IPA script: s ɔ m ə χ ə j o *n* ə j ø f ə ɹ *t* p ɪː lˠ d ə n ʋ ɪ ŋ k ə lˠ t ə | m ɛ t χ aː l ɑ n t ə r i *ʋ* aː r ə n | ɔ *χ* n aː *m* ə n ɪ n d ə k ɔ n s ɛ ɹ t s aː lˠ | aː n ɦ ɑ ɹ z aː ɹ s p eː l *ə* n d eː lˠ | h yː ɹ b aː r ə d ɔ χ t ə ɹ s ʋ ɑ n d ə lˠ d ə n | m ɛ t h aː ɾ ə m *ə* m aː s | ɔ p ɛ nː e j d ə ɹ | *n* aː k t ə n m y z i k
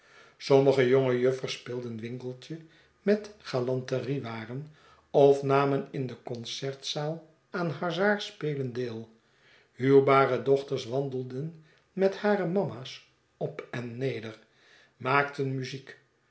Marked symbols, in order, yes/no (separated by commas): no, no, yes, no, yes, yes, no, no